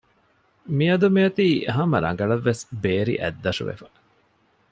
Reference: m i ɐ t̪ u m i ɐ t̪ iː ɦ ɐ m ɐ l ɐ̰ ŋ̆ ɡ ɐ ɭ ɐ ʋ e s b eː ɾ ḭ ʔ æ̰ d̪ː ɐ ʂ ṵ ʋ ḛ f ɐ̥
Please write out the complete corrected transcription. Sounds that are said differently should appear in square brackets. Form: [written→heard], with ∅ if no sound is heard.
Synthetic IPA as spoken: m i ɐ [t̪→d̪] u m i ɐ t̪ iː ɦ ɐ m ɐ [l→ɾ] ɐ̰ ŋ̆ ɡ ɐ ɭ ɐ [ʋ→ʋː] e s b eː ɾ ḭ ʔ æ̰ d̪ː ɐ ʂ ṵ ʋ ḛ f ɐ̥